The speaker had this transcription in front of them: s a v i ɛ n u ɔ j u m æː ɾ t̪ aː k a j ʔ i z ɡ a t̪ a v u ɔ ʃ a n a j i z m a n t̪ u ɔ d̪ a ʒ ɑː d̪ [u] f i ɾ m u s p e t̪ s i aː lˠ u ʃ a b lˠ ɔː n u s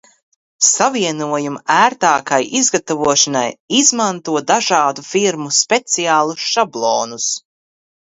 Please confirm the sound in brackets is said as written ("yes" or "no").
yes